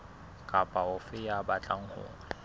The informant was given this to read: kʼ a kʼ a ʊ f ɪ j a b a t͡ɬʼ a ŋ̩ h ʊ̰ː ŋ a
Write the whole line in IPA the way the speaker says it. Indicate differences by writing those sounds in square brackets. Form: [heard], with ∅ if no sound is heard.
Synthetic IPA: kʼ a [pʼ] a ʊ f ɪ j a b a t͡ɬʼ a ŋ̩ h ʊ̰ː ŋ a